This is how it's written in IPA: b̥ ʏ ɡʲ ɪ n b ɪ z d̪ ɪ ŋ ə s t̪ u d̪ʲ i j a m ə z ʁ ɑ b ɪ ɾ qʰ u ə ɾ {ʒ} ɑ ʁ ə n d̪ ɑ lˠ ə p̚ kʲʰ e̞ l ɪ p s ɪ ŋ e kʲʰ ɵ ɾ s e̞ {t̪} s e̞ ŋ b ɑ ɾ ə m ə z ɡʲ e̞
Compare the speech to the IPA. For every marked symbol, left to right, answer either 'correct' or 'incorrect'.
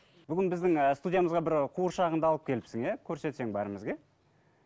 incorrect, correct

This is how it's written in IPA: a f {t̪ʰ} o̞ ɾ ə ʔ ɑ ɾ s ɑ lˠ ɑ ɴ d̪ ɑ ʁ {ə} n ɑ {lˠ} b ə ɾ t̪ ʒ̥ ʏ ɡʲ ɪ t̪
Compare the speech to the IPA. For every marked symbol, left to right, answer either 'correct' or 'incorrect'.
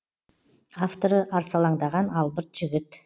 incorrect, incorrect, correct

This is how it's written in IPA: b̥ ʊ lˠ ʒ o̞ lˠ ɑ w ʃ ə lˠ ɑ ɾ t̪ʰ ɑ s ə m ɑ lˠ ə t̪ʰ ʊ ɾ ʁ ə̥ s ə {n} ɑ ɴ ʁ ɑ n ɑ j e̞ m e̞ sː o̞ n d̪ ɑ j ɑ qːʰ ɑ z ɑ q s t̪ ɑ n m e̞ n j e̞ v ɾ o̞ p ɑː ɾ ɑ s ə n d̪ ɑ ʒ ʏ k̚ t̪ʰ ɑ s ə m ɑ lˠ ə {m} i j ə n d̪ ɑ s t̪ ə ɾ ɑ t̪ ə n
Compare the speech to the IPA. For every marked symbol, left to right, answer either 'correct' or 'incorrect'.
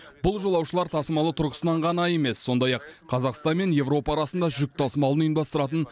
correct, incorrect

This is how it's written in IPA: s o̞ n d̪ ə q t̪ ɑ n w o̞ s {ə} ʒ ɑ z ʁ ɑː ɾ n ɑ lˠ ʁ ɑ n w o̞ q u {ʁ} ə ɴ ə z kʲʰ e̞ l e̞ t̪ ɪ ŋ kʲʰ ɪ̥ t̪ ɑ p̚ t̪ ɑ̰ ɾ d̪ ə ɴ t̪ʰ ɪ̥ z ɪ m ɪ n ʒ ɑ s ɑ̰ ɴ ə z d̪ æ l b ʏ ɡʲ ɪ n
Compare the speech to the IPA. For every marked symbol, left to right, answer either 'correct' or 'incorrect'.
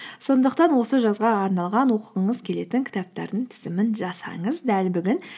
correct, correct

